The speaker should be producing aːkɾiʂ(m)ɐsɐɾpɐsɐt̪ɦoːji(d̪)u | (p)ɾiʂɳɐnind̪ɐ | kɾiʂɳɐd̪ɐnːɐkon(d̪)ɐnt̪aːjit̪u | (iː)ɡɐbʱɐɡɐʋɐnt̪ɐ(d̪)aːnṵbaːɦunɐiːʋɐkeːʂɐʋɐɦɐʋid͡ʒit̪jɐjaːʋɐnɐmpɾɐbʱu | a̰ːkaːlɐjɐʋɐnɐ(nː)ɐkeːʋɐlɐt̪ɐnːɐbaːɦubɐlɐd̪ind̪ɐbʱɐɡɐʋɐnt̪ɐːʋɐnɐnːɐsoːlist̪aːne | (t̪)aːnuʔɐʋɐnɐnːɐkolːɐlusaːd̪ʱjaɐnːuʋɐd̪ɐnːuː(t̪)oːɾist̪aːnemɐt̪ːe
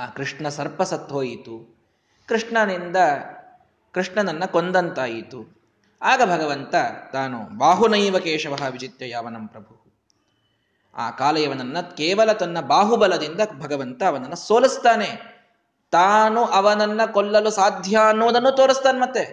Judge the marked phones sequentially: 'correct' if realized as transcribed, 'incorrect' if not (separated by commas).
incorrect, incorrect, incorrect, correct, incorrect, incorrect, correct, correct, correct